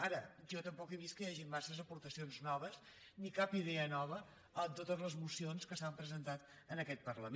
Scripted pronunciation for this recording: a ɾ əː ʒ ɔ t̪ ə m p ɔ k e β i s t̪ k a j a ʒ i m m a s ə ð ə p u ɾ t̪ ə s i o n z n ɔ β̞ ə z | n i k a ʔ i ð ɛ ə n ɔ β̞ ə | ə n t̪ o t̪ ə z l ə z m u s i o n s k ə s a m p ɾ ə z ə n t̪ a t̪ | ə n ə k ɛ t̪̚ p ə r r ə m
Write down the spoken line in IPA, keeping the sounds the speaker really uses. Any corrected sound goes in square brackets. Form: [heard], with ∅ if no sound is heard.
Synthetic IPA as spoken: a ɾ [ə] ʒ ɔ t̪ ə m p ɔ k e β i s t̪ k [ə] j a ʒ i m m a s ə [z] ə p u ɾ t̪ ə s i o n z n ɔ β̞ ə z | n i k a [p] i ð ɛ ə n ɔ β̞ ə | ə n t̪ o t̪ ə z l ə z m u s i o n s k ə s a m p ɾ ə z ə n t̪ a t̪ | ə n ə k ɛ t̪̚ p ə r [l] ə m